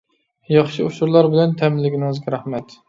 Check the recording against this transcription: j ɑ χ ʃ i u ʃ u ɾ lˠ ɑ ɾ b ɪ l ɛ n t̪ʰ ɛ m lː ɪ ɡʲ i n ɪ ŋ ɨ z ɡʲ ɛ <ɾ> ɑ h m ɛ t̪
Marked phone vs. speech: correct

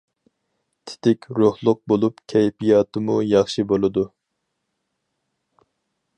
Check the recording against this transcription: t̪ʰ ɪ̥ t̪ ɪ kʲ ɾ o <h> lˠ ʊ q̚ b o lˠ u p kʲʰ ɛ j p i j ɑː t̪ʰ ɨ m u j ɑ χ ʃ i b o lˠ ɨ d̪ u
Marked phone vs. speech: correct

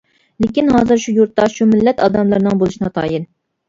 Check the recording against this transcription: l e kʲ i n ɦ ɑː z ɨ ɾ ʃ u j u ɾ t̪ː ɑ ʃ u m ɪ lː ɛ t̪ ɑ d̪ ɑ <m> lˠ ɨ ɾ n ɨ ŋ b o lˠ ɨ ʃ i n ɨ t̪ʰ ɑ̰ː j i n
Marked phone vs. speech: correct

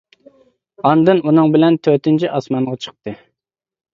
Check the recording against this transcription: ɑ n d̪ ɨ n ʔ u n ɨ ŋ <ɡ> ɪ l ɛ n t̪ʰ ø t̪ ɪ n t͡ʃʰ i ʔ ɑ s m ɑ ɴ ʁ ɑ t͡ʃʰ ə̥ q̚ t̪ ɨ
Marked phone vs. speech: incorrect: b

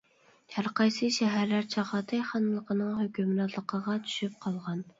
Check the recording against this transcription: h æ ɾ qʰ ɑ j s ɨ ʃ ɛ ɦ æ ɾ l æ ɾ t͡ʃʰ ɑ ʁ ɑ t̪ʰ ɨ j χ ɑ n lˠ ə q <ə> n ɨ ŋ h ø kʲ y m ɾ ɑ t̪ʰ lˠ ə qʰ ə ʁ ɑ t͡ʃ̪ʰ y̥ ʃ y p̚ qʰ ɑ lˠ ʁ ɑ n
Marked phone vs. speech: correct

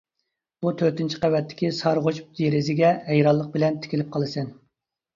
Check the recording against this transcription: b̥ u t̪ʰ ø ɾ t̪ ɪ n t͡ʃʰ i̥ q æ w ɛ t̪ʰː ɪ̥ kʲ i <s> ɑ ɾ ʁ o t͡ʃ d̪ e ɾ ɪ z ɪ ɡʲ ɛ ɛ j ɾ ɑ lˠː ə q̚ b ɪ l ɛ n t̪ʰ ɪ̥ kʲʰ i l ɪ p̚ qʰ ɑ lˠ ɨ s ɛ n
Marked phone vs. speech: correct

